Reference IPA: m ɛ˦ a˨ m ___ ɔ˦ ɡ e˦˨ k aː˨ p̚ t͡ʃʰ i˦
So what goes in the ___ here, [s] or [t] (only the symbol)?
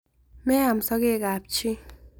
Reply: s